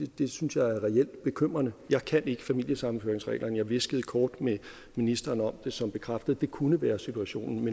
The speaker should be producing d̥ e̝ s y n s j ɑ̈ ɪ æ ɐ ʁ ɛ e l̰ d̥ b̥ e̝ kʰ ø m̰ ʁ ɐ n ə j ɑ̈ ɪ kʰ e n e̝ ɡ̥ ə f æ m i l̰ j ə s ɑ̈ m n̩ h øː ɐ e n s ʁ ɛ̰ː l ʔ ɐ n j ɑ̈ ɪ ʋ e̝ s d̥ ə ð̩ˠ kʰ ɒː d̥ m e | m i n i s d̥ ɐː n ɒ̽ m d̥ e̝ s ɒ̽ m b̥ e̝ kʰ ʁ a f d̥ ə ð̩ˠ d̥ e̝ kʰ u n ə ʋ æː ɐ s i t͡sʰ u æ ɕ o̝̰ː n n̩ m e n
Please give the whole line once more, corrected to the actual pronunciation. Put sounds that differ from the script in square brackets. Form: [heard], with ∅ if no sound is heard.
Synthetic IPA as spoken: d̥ e̝ s y n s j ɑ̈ ɪ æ ɐ ʁ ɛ e l̰ d̥ b̥ e̝ kʰ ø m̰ ʁ ɐ n ə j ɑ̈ ɪ kʰ [æ] n e̝ ɡ̥ ə f æ m i l̰ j ə s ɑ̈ m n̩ [f] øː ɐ e [ŋ] s ʁ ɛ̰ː l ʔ ɐ n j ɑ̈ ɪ ʋ e̝ s [ɡ̥] ə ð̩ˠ kʰ ɒː d̥ m e | m i n i s d̥ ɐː n ɒ̽ m d̥ e̝ s ɒ̽ m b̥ e̝ kʰ ʁ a f d̥ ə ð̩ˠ d̥ e̝ kʰ u n ə ʋ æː ɐ s i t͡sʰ u æ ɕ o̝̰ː n n̩ m e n